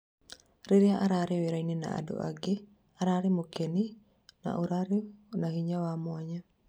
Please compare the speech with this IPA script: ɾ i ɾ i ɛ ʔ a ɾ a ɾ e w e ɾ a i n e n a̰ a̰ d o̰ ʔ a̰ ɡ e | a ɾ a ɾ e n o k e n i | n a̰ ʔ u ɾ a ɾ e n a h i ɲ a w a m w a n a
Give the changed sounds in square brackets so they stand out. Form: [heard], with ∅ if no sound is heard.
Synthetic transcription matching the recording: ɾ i ɾ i [a] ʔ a ɾ a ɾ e w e ɾ a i n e n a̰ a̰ d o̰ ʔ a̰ ɡ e | a ɾ a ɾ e [m] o k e n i | n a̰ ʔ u ɾ a ɾ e n a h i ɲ a w a m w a [ɲ] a